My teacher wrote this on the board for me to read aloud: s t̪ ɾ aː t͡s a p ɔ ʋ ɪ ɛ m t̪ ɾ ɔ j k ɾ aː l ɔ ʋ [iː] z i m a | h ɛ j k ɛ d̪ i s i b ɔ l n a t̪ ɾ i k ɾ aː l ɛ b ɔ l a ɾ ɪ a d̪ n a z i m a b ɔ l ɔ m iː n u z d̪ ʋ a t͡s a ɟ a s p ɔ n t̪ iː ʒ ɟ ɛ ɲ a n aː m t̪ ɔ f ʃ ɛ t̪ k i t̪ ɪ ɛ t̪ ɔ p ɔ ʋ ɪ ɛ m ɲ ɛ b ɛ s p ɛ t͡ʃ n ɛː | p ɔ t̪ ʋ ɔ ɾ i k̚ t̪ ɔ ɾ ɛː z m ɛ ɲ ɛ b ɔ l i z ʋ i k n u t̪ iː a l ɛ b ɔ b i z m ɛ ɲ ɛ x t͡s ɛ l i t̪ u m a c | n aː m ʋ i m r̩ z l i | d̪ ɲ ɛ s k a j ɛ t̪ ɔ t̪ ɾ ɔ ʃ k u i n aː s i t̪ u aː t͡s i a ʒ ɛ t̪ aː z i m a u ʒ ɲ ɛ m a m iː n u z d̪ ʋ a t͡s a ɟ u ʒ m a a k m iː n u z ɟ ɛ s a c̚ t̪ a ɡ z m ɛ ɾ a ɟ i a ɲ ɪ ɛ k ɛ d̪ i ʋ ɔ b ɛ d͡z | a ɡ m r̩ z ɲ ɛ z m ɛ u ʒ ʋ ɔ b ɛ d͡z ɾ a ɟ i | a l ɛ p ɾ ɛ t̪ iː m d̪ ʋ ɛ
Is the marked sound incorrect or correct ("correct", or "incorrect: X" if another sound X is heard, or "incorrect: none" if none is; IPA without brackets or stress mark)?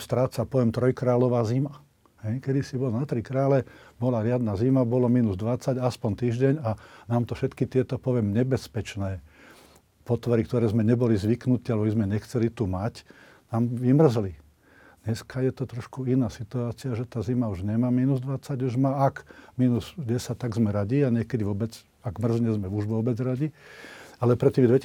incorrect: aː